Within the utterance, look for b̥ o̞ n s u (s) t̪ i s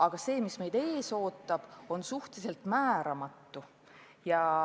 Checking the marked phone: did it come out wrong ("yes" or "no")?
yes